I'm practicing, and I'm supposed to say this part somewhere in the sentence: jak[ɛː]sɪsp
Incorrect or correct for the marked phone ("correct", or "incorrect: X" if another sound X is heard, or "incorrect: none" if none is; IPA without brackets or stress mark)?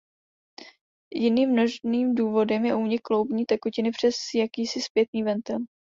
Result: incorrect: iː